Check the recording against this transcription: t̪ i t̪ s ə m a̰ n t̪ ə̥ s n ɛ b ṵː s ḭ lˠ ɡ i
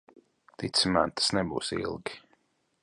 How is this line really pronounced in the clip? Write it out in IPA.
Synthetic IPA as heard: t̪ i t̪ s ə m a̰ n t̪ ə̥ s n ɛ b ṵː s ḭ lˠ ɡ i